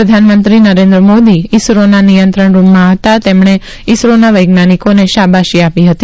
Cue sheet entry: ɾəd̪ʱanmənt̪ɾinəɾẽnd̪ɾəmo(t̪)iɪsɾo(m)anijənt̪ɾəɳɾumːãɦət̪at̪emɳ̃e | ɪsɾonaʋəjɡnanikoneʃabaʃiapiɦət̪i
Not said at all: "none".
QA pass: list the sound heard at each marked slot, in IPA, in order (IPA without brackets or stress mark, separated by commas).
d̪, n